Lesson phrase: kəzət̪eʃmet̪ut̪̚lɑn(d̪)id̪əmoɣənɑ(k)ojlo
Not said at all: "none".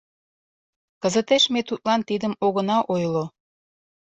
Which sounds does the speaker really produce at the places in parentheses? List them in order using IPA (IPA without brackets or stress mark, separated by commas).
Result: t̪, ʔ